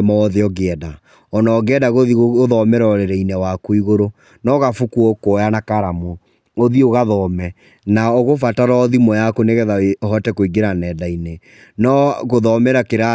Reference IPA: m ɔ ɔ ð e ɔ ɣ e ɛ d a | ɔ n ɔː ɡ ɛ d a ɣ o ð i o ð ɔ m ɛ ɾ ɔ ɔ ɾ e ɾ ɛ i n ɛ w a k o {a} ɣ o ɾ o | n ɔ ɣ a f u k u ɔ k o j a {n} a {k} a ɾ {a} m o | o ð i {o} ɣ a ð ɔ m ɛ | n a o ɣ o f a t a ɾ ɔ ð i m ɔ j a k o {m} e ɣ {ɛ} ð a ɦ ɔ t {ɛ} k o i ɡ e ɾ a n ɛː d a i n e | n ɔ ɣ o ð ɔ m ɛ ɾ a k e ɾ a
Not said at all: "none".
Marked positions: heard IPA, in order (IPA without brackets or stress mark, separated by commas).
i, n, k, a, o, n, ɛ, ɛ